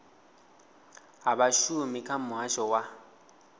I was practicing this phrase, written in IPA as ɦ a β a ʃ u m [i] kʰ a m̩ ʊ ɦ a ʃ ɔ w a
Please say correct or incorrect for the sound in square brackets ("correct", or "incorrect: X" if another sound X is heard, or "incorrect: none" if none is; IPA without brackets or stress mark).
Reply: correct